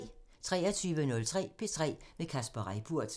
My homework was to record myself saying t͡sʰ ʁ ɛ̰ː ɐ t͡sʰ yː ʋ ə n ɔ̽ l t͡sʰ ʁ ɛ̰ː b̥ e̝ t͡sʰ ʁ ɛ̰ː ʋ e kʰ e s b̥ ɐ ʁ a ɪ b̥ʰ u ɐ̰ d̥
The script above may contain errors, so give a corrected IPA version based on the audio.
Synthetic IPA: t͡sʰ ʁ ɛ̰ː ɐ t͡sʰ yː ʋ ə n ɔ̽ l t͡sʰ ʁ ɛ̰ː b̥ e̝ t͡sʰ ʁ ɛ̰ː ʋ e kʰ æ s b̥ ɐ ʁ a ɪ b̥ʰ u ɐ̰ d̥